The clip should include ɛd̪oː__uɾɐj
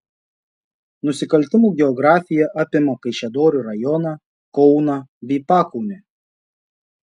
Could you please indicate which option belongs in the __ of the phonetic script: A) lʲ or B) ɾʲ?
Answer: B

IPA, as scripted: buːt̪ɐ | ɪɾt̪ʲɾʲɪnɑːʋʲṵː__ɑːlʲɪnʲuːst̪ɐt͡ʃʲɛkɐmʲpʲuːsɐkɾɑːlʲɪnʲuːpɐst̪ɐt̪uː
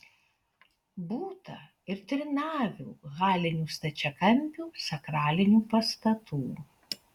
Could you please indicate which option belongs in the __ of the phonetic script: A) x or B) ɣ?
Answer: B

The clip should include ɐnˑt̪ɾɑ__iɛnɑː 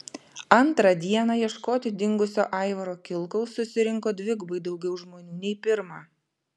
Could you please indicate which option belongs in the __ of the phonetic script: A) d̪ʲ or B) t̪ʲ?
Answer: A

